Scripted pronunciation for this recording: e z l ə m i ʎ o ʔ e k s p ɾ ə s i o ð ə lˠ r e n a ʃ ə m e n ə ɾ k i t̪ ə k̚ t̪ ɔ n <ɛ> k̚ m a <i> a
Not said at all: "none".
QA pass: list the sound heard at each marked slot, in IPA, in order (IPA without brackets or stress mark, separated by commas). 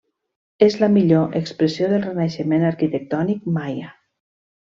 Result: i, j